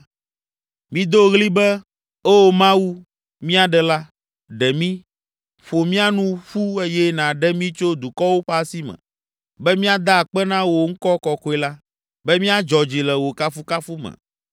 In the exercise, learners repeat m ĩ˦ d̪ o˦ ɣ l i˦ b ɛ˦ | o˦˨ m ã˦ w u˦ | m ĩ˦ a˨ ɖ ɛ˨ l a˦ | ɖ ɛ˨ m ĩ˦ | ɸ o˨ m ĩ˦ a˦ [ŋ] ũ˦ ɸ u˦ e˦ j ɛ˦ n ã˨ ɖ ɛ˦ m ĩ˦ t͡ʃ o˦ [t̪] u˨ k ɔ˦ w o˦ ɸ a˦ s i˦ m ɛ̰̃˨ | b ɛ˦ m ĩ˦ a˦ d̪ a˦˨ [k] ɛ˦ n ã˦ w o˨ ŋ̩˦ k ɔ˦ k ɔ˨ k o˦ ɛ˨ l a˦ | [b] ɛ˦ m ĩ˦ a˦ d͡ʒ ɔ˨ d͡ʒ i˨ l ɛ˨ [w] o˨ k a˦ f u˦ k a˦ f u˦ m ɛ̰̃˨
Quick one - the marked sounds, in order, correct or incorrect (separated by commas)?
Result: incorrect, incorrect, incorrect, correct, correct